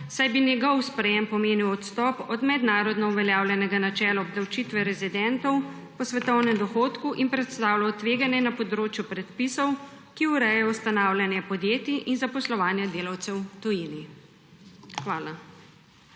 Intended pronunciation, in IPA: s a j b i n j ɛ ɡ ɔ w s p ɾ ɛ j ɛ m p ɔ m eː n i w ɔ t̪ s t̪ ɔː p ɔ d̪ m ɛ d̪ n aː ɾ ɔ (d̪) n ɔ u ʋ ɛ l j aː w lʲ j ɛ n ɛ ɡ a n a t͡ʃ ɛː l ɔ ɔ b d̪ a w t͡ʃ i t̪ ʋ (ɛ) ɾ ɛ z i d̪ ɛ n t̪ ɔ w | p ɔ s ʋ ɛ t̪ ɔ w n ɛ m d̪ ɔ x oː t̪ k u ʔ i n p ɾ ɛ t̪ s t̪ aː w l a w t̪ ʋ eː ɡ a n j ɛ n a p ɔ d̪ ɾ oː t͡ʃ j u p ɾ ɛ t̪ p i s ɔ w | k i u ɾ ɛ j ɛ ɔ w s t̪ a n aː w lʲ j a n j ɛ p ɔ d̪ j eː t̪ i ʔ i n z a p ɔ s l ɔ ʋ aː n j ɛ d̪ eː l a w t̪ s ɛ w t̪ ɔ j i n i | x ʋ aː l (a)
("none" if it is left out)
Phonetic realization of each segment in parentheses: d̪, ɛ, a

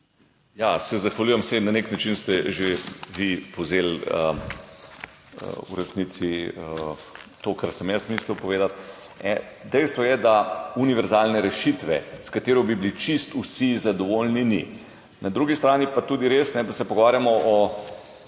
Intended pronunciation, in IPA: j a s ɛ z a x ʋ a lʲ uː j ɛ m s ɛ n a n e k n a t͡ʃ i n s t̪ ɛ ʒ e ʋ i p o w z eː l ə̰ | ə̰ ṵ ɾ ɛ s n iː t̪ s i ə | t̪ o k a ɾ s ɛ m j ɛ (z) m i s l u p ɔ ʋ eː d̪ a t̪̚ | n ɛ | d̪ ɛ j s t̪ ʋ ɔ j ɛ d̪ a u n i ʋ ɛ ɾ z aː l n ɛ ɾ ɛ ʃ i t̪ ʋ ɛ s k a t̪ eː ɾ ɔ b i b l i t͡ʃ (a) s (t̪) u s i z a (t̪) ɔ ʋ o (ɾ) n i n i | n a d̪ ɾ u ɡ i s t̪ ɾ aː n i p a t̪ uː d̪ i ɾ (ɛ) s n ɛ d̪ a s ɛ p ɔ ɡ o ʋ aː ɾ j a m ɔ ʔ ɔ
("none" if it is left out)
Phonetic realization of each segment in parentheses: s, i, t̪, d̪, l, e

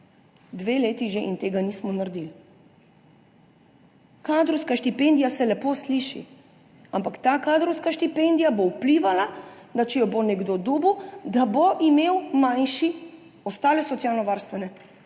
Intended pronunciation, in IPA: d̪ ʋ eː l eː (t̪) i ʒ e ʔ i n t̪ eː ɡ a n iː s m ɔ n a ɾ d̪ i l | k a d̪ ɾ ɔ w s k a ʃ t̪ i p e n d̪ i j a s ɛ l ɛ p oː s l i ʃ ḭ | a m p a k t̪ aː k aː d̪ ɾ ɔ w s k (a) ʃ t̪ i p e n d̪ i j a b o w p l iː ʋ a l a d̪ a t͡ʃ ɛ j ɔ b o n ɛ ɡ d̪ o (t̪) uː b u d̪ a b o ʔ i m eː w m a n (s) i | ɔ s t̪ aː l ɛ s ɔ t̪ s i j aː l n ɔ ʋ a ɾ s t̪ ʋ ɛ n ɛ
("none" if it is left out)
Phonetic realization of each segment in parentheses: t̪, a, d̪, ʃ

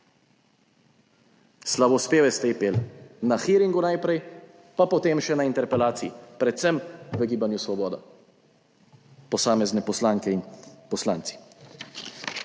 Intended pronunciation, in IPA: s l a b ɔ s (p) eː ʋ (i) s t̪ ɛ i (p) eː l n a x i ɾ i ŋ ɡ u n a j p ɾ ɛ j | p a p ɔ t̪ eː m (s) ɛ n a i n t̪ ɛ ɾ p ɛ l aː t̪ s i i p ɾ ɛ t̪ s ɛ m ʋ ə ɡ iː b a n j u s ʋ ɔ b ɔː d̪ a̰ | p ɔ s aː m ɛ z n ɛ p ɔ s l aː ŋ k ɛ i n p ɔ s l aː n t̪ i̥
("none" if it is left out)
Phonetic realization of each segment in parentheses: p, ɛ, p, ʃ

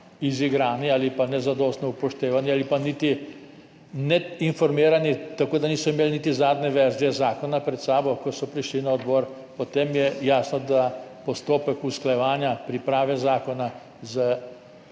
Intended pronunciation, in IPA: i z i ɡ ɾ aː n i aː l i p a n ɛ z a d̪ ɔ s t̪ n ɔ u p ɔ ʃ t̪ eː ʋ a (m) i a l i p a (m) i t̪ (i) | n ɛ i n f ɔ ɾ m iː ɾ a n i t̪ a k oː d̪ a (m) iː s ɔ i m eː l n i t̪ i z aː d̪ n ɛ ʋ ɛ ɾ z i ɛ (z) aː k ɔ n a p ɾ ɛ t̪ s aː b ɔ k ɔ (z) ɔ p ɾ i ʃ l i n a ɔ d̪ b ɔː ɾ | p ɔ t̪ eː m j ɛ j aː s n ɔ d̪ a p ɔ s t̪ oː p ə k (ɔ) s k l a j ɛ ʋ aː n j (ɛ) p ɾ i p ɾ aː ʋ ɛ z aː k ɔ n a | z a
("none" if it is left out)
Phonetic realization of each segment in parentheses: n, n, i, n, z, s, u, a

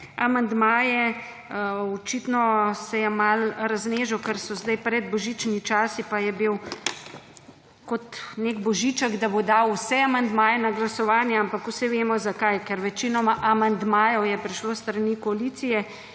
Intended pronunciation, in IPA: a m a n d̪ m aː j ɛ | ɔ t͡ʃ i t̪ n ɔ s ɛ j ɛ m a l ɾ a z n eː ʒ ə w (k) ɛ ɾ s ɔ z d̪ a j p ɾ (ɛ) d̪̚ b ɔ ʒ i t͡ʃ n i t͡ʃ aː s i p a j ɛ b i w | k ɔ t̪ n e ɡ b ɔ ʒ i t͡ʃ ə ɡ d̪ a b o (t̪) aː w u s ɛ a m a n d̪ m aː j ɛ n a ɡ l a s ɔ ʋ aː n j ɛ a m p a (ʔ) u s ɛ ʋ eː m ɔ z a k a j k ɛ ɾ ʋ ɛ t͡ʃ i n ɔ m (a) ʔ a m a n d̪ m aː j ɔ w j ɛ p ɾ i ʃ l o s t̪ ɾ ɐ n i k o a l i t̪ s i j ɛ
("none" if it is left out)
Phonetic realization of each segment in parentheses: k, ɛ, d̪, k, a

